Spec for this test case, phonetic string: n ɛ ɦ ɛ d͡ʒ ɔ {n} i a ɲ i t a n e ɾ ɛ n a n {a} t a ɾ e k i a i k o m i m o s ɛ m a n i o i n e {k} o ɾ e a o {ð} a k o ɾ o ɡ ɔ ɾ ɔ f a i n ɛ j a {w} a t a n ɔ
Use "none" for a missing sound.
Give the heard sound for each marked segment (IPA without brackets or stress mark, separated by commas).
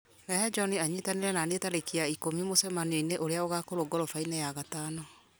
n, e, ʔ, ɣ, ɣ